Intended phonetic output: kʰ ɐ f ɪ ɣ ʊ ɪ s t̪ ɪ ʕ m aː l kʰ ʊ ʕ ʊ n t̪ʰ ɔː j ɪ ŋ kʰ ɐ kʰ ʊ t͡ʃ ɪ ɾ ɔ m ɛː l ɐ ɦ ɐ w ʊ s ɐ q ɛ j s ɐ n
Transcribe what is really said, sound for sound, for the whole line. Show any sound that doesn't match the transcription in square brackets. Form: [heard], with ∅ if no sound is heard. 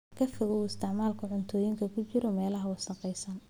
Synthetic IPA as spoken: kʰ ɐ f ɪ ɣ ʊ ɪ s t̪ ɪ ʕ m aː l kʰ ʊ ʕ ʊ n t̪ʰ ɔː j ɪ ŋ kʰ ɐ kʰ ʊ t͡ʃ ɪ ɾ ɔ m ɛː l ɐ ɦ ɐ w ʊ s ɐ q ɛ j s ɐ n